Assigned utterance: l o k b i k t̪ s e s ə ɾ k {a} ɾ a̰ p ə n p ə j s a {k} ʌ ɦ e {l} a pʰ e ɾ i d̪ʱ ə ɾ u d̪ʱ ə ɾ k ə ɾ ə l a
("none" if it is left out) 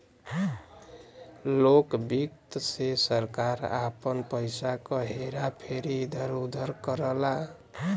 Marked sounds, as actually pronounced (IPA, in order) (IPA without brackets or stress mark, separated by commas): a, k, ɾ